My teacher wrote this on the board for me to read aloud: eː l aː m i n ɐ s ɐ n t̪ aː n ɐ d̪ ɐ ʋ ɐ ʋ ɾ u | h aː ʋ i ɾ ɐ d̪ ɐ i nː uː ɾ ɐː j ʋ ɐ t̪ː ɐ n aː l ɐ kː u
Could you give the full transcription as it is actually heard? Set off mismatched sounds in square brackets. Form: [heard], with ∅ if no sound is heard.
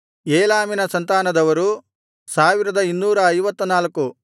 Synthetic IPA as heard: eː l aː m i n ɐ s ɐ n t̪ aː n ɐ d̪ ɐ ʋ ɐ [∅] ɾ u | [s] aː ʋ i ɾ ɐ d̪ ɐ i nː uː ɾ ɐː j ʋ ɐ t̪ː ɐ n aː l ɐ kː u